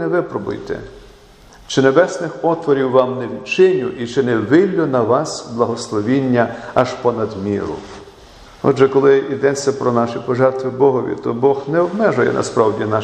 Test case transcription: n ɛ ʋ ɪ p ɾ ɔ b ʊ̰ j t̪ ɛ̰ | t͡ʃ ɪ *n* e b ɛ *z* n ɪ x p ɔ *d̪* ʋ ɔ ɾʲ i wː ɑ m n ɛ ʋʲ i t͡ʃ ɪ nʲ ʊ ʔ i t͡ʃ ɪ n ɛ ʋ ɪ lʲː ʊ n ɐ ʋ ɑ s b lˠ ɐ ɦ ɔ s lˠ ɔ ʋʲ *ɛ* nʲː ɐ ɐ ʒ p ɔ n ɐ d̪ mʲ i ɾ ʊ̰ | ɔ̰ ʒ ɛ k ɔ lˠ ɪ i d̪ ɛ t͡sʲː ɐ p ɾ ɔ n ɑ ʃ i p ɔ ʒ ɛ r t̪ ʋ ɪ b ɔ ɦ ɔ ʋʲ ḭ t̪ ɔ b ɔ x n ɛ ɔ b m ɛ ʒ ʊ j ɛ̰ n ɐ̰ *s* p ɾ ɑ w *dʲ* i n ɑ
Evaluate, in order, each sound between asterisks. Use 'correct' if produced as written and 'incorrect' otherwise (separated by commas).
correct, incorrect, incorrect, incorrect, correct, correct